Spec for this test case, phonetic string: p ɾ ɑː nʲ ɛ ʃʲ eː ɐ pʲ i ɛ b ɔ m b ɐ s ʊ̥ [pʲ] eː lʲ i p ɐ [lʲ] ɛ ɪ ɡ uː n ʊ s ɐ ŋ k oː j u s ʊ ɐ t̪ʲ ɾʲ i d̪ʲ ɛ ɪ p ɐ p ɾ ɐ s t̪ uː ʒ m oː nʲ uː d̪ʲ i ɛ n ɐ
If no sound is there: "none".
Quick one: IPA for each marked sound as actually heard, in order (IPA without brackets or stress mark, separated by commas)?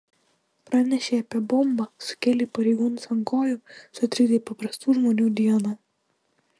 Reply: kʲ, ɾʲ